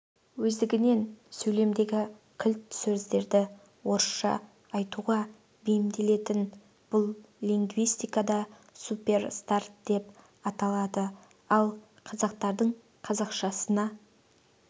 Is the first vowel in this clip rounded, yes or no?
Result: yes